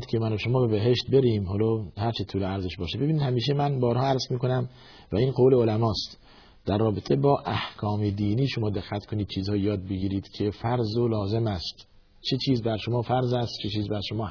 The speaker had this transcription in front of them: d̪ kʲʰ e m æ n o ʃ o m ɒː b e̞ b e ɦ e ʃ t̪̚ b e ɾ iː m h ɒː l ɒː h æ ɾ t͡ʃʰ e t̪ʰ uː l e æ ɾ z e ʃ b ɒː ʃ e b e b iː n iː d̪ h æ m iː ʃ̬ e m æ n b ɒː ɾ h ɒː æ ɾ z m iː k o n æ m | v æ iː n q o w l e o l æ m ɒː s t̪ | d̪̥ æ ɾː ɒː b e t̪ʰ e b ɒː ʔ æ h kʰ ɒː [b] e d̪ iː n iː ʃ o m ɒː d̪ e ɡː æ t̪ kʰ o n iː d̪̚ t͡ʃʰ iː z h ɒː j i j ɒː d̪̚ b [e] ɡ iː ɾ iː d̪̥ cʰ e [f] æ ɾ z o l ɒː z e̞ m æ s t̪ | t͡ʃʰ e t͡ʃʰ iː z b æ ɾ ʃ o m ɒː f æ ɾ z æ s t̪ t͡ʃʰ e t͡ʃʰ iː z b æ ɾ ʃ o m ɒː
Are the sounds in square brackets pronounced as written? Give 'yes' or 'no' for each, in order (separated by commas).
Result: no, yes, yes